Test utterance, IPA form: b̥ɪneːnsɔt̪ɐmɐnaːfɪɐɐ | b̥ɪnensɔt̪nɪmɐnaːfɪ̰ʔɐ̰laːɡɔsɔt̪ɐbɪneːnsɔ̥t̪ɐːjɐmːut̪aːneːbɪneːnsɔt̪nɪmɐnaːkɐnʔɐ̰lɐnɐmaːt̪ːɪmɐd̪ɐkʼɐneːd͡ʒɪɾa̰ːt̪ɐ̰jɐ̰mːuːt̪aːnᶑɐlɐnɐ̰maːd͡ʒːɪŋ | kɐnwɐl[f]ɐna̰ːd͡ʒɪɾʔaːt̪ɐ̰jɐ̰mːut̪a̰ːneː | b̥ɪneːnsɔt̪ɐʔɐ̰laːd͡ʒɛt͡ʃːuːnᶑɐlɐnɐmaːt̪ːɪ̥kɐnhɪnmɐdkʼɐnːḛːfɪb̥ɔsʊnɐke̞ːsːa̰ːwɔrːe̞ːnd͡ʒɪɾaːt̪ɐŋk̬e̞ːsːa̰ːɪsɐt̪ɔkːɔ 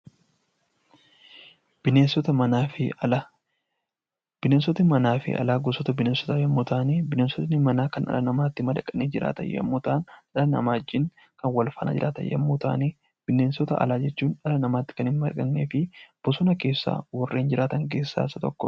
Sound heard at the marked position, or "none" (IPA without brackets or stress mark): f